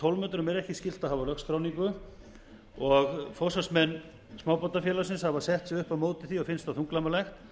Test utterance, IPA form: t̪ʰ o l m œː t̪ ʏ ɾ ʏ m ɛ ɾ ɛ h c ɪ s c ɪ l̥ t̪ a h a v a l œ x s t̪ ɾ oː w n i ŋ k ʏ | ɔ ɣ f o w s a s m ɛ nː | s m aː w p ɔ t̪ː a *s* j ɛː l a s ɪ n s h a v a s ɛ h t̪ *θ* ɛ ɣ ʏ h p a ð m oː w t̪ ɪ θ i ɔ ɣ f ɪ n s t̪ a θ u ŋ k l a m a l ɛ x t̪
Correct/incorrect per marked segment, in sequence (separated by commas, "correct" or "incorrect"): incorrect, incorrect